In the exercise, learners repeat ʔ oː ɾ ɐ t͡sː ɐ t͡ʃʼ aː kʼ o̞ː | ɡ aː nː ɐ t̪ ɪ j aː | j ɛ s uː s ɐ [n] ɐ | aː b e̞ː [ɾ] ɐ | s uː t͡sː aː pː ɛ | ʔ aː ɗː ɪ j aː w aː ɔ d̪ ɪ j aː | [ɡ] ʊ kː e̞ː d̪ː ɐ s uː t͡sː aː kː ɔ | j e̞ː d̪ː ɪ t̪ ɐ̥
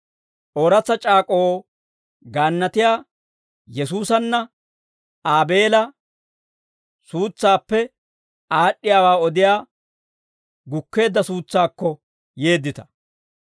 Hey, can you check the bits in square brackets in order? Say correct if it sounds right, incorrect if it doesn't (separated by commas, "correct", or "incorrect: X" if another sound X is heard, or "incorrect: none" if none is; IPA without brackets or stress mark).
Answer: incorrect: nː, incorrect: l, correct